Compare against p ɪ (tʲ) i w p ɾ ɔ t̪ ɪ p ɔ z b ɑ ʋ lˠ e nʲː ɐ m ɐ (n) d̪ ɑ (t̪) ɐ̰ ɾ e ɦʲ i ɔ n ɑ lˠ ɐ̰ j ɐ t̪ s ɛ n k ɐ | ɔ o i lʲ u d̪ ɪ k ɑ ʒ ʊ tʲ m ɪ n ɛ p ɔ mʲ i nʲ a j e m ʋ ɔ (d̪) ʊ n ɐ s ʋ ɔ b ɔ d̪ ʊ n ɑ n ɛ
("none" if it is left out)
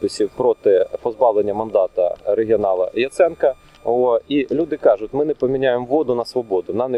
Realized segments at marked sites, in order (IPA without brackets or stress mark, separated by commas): sʲ, n, t̪, d̪